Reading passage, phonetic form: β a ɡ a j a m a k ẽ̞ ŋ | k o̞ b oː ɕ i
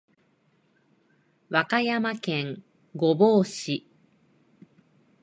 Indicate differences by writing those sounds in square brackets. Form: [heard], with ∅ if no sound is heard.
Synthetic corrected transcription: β a [k] a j a m a k ẽ̞ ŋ | [ɡ] o̞ b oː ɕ i